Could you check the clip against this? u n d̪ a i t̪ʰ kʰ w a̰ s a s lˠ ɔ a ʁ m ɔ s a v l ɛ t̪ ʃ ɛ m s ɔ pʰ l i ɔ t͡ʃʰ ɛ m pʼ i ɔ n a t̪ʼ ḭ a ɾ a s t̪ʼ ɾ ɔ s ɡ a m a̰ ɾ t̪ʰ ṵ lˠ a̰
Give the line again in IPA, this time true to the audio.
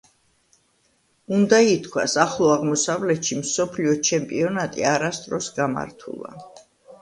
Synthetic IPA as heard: u n d̪ a i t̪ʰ kʰ w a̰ s a χ lˠ ɔ a ʁ m ɔ s a v l ɛ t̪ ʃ i m s ɔ pʰ l i ɔ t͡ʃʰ ɛ m pʼ i ɔ n a t̪ʼ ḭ a ɾ a s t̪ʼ ɾ ɔ s ɡ a m a̰ ɾ t̪ʰ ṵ lˠ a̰